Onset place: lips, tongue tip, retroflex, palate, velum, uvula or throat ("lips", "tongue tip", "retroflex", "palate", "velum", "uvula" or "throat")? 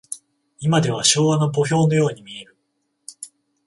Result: lips